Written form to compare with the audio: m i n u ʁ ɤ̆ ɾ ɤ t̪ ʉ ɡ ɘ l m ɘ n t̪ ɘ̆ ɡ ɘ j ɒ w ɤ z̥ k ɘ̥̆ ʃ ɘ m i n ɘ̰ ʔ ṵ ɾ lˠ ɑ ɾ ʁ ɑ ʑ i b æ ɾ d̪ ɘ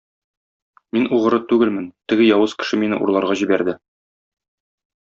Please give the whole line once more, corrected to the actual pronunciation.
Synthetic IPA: m i n u ʁ ɤ̆ ɾ ɤ t̪ ʉ ɡ ɘ l m ɘ n t̪ ɘ̆ ɡ ɘ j ɒ w ɤ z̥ k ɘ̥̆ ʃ ɘ m i n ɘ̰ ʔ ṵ ɾ lˠ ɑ ɾ ʁ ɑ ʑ i b æ ɾ d̪ ɘ